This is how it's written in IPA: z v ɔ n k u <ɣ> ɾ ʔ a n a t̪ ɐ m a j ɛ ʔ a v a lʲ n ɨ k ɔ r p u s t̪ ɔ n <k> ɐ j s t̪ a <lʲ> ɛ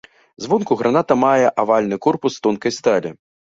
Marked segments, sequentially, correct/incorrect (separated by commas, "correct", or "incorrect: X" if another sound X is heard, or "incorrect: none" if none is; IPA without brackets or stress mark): correct, correct, correct